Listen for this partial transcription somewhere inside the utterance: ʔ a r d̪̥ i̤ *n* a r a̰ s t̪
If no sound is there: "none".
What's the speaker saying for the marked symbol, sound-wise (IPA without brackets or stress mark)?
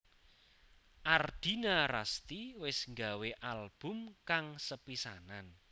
n